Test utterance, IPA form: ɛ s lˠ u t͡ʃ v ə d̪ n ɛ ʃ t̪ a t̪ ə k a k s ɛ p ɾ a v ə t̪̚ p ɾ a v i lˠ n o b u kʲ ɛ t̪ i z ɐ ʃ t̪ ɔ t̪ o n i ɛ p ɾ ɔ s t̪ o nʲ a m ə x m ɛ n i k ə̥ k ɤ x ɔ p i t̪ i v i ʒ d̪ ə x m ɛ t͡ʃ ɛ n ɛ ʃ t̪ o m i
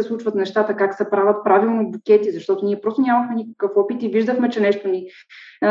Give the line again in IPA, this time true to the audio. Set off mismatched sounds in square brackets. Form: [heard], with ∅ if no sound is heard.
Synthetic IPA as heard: ɛ s lˠ u t͡ʃ v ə [t̪] n ɛ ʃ t̪ a t̪ ə k a k s ɛ p ɾ a v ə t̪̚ p ɾ a v i lˠ n o b u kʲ ɛ t̪ i z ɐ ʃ t̪ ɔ t̪ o n i ɛ p ɾ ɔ s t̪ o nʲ a m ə x m ɛ n i k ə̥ k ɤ [f] ɔ p i t̪ i v i ʒ d̪ ə x m ɛ t͡ʃ ɛ n ɛ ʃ t̪ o [n] i